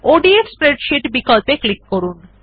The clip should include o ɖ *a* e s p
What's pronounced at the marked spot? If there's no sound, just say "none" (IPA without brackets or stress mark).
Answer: i